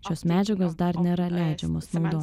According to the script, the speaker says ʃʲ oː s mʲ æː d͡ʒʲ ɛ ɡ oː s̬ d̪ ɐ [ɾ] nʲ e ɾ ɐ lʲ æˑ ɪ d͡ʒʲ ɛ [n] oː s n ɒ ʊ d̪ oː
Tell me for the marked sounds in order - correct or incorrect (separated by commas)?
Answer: correct, incorrect